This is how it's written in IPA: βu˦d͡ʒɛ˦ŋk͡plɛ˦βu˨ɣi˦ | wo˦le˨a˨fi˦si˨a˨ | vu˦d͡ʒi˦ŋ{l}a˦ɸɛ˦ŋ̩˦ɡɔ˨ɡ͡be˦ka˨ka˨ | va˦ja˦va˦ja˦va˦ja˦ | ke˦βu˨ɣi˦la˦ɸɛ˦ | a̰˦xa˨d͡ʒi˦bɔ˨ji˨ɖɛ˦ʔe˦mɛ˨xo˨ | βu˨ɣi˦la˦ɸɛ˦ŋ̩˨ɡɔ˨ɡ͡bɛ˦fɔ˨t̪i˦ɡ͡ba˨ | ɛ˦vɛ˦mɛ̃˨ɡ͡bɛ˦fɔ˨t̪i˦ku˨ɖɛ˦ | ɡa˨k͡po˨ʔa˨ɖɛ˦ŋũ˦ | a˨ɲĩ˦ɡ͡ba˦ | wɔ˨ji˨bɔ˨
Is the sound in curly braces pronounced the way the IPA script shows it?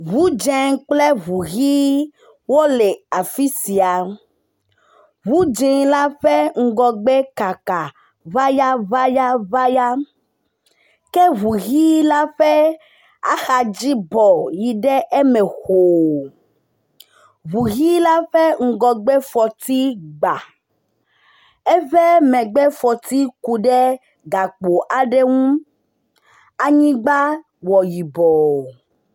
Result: yes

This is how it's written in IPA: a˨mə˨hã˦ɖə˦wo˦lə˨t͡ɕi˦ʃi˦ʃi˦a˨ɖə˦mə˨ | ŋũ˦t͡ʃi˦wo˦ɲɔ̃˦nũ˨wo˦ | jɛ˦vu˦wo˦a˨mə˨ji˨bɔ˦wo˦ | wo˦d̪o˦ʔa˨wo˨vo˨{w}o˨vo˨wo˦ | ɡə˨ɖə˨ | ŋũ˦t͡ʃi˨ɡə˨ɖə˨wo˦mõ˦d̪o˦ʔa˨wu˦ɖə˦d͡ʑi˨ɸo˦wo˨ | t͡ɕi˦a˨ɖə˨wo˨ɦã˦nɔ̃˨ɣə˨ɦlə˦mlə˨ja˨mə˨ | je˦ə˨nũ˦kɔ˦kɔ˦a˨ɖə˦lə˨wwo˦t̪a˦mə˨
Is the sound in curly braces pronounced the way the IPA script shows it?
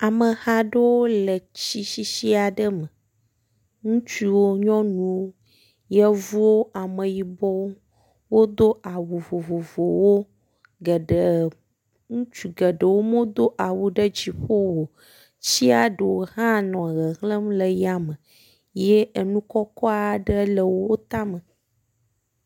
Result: no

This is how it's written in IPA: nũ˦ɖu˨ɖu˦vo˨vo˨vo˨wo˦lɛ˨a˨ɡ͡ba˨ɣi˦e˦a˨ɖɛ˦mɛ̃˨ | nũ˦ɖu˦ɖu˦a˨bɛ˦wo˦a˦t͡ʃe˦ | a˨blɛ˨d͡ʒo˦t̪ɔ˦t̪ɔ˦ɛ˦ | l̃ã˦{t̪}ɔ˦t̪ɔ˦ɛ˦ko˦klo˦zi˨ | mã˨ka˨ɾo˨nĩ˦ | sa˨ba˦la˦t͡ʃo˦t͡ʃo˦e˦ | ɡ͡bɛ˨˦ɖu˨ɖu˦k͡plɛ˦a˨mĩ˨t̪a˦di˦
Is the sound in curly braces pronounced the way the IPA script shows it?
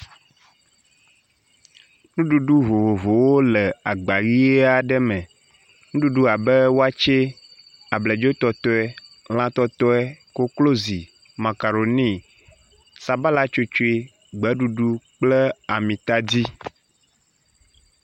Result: yes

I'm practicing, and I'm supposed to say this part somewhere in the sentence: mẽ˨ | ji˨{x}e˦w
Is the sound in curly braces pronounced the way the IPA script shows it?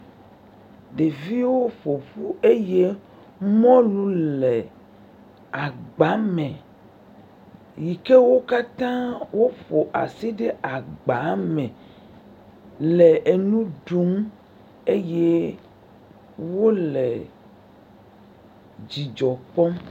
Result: no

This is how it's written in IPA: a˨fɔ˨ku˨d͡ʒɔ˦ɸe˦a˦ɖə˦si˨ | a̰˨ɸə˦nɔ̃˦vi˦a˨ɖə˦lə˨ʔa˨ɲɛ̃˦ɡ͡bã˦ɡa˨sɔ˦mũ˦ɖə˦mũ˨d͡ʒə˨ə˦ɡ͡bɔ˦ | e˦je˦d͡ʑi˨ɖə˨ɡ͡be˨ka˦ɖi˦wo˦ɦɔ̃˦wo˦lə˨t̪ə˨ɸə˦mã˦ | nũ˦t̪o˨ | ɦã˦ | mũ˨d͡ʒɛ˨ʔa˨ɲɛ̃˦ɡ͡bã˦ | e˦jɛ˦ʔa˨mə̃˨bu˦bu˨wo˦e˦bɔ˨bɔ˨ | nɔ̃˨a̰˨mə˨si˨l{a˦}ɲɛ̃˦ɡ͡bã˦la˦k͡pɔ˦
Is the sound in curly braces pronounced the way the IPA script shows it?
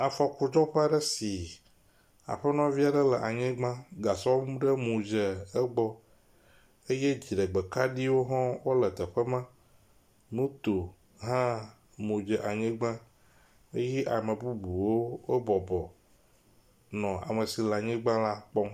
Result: no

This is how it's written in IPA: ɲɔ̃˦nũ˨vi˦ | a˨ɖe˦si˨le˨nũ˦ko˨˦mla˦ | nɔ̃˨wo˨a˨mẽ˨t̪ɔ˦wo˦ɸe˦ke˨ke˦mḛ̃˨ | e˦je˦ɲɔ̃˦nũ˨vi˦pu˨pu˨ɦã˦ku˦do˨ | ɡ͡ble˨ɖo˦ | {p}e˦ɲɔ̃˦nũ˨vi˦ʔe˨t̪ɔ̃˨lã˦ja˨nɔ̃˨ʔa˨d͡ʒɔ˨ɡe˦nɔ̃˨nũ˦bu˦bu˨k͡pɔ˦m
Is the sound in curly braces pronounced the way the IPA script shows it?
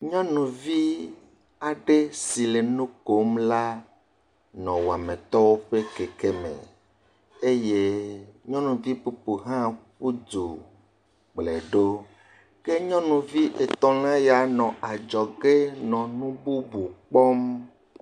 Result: no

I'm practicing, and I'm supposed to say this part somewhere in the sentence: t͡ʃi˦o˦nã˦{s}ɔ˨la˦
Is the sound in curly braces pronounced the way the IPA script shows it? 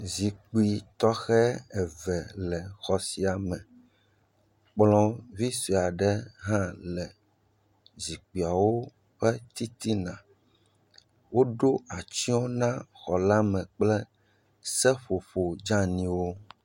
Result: no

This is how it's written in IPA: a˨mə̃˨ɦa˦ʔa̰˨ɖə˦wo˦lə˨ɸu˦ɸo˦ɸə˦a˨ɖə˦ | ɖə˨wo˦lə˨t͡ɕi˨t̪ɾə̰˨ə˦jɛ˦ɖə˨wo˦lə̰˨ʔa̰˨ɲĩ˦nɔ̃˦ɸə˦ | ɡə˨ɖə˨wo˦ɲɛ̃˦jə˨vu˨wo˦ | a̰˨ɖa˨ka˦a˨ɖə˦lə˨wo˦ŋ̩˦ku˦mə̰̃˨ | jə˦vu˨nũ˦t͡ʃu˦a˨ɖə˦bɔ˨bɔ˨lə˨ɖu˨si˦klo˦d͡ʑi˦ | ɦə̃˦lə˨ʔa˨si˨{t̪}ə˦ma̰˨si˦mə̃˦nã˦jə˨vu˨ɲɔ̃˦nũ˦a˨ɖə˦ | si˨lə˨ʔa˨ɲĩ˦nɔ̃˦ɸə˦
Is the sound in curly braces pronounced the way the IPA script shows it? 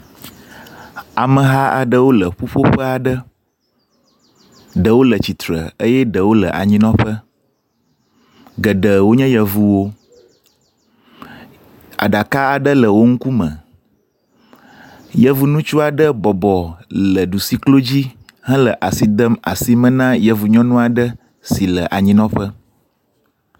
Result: no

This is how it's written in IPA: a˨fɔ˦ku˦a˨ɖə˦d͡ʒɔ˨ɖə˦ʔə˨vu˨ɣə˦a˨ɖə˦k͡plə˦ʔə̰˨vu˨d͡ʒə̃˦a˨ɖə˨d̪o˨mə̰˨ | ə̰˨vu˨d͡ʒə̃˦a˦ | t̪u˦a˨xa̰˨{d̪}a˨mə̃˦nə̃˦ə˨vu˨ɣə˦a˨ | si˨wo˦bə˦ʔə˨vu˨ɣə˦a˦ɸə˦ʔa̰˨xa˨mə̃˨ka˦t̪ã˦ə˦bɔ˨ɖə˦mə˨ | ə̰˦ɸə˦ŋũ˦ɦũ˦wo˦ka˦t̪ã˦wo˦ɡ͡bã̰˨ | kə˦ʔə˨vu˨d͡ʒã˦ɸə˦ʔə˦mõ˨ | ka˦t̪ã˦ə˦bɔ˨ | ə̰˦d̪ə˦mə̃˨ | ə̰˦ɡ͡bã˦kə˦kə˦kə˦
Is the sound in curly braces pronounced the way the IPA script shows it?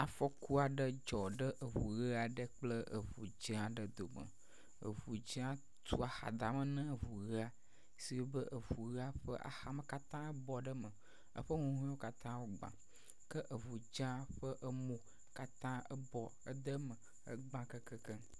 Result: yes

